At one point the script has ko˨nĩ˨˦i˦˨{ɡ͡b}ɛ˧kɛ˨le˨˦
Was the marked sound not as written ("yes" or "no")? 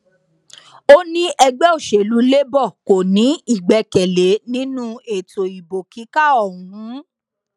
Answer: no